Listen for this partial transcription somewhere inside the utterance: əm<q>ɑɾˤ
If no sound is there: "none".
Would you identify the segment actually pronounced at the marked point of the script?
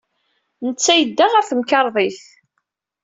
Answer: k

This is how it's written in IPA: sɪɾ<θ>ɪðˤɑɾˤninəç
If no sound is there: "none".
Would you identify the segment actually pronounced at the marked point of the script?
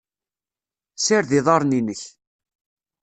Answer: ð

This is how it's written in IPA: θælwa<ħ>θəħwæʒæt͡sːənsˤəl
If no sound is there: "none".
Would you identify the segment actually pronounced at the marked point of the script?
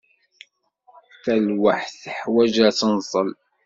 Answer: ħ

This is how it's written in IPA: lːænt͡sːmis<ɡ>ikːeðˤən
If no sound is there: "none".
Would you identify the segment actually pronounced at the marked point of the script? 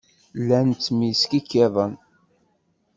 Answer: k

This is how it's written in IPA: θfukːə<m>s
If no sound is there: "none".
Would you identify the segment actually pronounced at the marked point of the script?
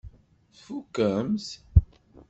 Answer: m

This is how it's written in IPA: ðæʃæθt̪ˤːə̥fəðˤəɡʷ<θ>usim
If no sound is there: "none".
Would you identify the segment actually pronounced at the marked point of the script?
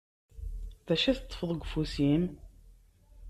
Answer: f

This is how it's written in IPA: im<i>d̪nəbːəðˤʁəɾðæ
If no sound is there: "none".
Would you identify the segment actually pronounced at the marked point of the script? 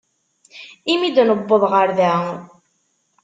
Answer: i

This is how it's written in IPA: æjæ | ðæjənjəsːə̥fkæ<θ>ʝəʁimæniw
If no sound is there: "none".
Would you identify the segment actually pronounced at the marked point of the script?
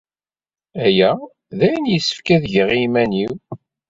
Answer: ð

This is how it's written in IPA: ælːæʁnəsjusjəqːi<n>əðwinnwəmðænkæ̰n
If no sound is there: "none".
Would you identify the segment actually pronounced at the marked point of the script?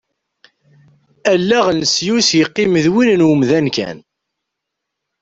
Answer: m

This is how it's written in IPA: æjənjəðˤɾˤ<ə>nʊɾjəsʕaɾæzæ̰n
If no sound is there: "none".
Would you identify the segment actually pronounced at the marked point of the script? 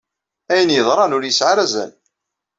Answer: ɑ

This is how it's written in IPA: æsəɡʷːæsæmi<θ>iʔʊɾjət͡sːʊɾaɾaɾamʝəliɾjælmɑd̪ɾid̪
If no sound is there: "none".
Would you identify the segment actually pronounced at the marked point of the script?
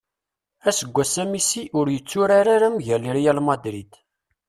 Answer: s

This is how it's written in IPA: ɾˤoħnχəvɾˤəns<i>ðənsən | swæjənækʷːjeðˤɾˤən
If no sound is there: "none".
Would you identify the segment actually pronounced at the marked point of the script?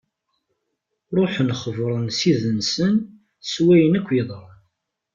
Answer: i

